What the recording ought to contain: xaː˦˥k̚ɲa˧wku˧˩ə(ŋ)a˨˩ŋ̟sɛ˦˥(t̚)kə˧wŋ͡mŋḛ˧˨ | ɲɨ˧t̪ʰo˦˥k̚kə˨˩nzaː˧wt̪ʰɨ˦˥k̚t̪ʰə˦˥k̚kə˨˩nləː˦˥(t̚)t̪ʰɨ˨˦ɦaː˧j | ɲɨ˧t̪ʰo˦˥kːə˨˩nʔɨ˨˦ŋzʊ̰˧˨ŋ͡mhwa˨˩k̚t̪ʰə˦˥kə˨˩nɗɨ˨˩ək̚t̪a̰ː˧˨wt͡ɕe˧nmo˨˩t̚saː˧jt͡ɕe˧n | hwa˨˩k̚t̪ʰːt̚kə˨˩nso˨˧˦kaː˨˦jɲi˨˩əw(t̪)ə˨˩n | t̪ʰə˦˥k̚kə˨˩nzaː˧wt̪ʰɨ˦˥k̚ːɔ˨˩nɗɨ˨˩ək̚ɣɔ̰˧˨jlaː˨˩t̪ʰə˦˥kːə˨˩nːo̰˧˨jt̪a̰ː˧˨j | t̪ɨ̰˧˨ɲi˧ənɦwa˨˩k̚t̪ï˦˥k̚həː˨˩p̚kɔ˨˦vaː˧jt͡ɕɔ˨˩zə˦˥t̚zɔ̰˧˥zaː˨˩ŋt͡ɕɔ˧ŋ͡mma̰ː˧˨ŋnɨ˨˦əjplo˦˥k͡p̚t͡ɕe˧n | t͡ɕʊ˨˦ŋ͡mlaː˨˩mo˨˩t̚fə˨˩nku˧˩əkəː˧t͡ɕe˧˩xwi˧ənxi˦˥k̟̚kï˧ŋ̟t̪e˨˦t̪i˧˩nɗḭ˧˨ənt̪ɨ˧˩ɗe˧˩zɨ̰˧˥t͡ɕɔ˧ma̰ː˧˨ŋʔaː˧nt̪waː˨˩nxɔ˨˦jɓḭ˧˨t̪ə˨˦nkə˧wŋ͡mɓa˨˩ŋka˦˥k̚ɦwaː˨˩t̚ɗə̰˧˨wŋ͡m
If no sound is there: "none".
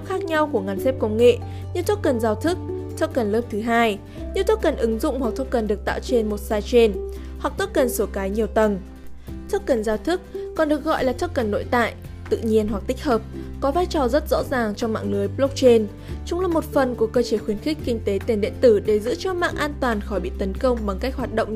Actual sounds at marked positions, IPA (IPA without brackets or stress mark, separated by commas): ŋ, p̚, p̚, t̪